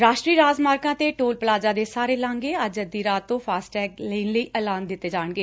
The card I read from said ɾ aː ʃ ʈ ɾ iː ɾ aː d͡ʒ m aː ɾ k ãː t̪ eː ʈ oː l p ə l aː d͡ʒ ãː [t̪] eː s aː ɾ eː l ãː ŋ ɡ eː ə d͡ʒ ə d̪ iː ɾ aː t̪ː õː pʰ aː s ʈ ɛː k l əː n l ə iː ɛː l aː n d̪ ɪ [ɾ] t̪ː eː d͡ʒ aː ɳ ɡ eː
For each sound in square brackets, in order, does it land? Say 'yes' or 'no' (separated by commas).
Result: no, no